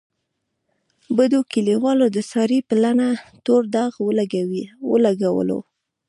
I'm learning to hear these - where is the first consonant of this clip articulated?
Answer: lips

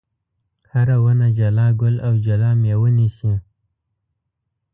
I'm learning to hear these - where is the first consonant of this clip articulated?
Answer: throat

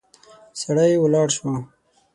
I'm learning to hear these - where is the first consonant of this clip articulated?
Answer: tongue tip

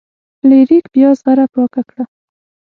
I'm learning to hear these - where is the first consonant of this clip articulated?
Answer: tongue tip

